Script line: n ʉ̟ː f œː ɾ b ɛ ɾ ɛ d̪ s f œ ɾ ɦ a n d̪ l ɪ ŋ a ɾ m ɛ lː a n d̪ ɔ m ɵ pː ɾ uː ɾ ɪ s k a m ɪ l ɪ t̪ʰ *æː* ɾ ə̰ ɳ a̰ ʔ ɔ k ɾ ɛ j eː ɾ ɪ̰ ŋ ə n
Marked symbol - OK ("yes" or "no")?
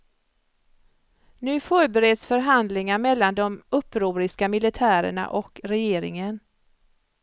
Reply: yes